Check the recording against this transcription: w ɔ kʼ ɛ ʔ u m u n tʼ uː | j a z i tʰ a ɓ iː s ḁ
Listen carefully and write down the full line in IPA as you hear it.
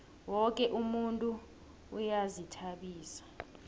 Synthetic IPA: w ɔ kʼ ɛ ʔ u m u n tʼ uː | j a z i tʰ a ɓ iː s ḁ